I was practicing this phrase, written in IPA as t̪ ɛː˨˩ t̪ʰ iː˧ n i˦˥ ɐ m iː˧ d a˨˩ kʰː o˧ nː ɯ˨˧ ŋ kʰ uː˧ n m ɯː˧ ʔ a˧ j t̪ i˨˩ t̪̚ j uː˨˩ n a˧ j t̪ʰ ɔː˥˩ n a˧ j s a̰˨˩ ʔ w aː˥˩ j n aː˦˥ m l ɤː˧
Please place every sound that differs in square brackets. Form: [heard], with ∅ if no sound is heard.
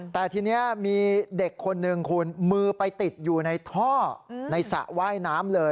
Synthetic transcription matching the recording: t̪ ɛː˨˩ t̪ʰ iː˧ n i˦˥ ɐ m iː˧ d [e˨˩] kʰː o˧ nː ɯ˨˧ ŋ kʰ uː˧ n m ɯː˧ [p] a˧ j t̪ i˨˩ t̪̚ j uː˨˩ n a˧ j t̪ʰ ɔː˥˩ n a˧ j s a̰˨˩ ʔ w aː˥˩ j n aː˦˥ m l ɤː˧